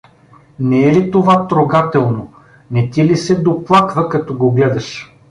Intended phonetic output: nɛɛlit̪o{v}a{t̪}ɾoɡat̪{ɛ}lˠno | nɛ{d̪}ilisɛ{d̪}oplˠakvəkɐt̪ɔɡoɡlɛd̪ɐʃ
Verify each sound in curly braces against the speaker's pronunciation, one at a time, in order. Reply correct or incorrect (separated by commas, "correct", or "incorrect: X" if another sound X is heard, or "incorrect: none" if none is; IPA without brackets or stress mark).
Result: correct, correct, correct, incorrect: t̪, correct